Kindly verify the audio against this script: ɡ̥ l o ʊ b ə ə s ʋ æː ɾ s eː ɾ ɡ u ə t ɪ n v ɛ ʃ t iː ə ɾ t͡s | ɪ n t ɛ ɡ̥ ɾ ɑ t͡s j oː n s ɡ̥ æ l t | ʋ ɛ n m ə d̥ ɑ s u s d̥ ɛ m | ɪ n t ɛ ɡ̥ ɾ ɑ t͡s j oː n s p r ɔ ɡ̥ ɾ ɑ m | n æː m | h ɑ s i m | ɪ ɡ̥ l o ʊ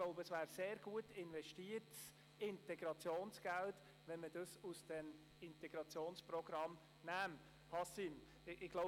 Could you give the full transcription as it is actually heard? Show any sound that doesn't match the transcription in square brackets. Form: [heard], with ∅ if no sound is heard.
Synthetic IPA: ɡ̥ l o ʊ b ə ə s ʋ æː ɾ s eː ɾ ɡ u ə t ɪ n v ɛ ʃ t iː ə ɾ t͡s | ɪ n t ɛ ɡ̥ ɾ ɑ t͡s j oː n s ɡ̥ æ l t | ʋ ɛ n m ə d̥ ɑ s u s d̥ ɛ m | ɪ n t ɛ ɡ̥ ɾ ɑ t͡s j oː n s p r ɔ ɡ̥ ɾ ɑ m | n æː m | h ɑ s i m | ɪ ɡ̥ l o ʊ